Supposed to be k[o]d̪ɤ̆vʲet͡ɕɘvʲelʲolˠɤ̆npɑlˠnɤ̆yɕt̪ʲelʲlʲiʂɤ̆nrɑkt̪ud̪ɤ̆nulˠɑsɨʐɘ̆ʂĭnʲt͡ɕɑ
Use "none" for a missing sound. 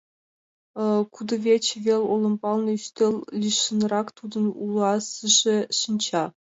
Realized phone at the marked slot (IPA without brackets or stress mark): u